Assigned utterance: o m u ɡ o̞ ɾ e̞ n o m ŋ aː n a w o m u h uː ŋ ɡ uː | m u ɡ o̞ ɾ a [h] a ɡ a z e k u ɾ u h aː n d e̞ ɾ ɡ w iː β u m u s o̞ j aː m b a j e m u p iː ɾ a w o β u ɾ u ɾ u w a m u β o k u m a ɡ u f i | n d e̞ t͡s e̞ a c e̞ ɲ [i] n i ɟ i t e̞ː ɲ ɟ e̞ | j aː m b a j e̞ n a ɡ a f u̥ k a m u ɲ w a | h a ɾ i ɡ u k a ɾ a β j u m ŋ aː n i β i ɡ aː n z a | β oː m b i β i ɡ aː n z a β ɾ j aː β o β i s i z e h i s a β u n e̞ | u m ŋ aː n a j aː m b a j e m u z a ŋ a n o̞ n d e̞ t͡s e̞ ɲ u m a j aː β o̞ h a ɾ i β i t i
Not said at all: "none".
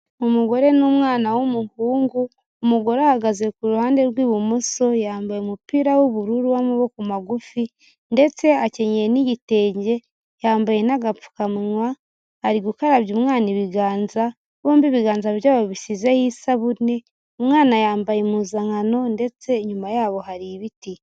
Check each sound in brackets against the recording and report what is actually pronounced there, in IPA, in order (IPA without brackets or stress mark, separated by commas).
h, e